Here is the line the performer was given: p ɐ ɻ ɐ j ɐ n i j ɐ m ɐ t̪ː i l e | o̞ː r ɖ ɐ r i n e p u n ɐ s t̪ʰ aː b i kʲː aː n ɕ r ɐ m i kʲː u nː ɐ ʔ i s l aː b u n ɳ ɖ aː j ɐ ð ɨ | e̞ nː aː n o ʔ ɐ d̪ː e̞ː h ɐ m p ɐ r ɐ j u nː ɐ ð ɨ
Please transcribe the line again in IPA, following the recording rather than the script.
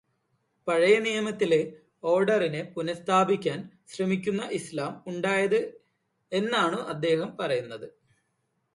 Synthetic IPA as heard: p ɐ ɻ ɐ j ɐ n i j ɐ m ɐ t̪ː i l e | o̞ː r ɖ ɐ r i n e p u n ɐ s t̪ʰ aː b i kʲː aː n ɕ r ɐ m i kʲː u nː ɐ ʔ i s l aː m u ɳ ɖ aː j ɐ ð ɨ | e̞ nː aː ɳ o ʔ ɐ d̪ː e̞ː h ɐ m p ɐ r ɐ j u nː ɐ ð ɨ